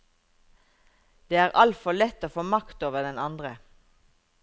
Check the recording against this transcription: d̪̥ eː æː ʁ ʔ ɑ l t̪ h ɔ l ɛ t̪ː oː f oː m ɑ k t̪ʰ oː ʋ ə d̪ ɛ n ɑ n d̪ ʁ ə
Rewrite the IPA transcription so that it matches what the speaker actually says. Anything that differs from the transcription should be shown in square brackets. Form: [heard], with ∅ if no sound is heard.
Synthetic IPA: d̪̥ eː æː ʁ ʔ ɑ l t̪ [f] ɔ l ɛ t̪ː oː f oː m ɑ k [t̪] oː ʋ ə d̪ ɛ n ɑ n d̪ ʁ ə